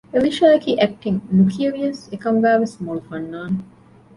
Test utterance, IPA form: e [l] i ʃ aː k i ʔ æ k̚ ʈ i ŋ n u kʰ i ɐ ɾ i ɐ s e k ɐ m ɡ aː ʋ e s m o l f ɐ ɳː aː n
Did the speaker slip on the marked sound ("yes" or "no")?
no